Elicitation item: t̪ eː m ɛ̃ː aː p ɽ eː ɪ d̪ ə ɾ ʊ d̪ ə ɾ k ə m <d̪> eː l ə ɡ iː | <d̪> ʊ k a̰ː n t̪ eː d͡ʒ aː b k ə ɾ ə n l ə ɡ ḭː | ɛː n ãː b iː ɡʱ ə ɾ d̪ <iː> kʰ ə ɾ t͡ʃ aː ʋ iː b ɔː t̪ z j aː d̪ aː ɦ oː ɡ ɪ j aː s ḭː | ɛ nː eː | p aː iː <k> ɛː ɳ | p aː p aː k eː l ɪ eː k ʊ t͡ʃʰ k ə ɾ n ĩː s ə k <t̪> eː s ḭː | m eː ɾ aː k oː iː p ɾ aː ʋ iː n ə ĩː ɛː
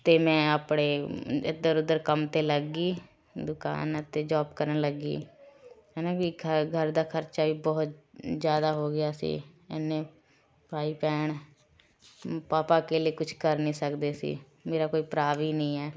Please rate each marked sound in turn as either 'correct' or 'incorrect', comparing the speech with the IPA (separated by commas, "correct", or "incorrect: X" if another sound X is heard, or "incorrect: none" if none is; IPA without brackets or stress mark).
incorrect: t̪, correct, incorrect: aː, incorrect: p, incorrect: d̪